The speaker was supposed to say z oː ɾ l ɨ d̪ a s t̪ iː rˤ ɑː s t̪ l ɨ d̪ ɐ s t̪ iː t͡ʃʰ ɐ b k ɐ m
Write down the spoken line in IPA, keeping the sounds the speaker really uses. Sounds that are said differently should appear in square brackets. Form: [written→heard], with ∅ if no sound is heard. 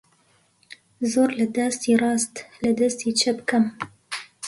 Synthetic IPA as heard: z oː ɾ l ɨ d̪ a s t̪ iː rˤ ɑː s t̪ l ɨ d̪ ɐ s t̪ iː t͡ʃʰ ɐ b k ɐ m